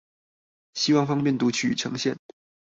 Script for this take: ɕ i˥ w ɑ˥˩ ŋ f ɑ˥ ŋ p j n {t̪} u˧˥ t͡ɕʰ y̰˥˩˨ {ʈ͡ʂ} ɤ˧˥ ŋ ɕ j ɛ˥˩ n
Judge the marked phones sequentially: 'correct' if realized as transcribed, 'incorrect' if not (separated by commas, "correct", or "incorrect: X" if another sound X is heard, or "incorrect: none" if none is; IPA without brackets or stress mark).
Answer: correct, incorrect: ʈ͡ʂʰ